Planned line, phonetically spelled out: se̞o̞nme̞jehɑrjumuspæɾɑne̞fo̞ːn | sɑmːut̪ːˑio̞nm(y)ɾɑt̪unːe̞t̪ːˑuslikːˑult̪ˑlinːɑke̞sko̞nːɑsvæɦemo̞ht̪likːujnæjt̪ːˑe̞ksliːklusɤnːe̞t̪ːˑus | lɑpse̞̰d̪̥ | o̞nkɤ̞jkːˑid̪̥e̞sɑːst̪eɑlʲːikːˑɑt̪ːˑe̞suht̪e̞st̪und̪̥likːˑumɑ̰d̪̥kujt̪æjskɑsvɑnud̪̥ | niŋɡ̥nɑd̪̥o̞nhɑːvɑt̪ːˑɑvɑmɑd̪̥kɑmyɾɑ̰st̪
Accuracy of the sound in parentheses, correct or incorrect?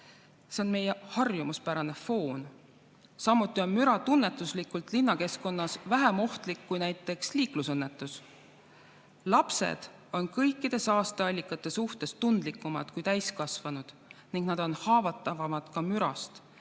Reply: correct